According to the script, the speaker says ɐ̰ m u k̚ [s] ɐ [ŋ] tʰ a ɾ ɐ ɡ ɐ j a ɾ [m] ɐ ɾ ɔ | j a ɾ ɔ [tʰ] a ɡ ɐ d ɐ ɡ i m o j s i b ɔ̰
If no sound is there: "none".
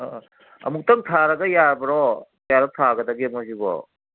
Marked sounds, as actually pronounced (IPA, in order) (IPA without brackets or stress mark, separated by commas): t, ŋ, b, tʰ